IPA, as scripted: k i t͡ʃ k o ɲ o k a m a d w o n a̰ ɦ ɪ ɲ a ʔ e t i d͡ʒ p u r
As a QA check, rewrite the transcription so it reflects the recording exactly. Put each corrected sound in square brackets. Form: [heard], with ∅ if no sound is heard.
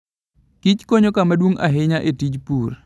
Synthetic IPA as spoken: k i t͡ʃ k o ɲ o k a m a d w o [ŋ] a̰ ɦ ɪ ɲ a ʔ e t i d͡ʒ p u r

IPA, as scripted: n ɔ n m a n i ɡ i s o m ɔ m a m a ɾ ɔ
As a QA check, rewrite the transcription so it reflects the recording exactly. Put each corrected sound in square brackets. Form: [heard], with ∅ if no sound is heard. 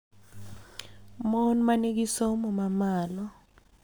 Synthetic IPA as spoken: [m] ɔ n m a n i ɡ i s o m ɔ m a m a [l] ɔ

